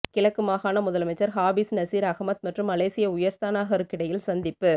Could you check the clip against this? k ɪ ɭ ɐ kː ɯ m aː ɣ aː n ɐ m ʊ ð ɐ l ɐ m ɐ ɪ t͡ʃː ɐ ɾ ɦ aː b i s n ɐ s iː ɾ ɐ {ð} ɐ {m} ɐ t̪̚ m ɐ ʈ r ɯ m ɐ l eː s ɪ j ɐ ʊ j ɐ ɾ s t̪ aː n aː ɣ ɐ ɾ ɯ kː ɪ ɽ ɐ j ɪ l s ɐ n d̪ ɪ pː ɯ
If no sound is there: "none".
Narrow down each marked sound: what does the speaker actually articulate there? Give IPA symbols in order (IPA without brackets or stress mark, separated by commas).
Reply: ɣ, m